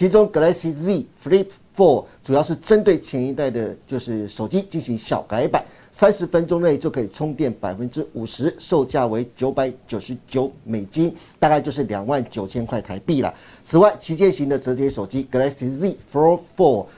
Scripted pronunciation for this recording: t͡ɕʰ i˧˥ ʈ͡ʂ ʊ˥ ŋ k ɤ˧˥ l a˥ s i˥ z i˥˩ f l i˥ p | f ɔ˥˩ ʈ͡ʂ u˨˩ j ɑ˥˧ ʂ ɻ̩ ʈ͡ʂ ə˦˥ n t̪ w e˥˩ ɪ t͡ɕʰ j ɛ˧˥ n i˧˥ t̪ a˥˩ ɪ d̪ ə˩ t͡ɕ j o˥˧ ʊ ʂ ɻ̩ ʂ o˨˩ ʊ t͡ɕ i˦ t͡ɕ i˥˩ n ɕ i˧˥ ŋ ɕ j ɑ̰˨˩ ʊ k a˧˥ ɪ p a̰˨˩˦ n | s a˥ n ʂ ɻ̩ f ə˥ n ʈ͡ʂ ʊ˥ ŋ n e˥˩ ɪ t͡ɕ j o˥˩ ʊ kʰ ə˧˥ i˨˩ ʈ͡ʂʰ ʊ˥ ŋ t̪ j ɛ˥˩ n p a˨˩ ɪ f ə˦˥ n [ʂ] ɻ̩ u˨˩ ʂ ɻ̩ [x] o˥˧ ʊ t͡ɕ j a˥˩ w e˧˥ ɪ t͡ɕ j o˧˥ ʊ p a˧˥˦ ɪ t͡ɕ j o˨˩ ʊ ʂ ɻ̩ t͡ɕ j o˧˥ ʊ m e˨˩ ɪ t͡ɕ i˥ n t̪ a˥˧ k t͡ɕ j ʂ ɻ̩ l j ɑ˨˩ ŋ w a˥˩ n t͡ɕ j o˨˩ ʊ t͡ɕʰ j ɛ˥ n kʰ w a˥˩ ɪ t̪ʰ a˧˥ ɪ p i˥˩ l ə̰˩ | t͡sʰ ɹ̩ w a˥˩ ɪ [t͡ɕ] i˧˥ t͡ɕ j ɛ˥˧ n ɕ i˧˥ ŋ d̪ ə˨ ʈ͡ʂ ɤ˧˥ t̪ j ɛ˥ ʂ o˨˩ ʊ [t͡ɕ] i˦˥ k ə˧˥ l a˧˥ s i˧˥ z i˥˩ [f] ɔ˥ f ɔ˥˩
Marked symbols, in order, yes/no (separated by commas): no, no, no, yes, yes